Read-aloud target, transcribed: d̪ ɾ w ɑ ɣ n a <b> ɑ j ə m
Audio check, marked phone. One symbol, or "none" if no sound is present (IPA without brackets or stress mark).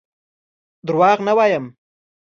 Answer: w